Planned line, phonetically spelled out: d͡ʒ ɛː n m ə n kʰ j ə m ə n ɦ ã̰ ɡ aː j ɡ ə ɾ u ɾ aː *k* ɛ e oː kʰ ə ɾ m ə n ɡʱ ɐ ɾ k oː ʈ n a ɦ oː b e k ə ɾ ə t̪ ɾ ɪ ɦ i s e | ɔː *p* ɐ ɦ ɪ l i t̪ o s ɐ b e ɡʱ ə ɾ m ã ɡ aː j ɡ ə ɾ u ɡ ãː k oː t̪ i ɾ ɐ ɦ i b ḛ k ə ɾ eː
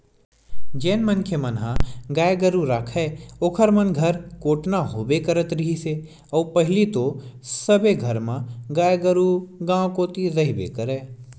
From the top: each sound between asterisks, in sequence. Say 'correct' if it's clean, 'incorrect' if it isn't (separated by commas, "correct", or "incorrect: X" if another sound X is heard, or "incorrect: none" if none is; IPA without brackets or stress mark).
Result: incorrect: kʰ, correct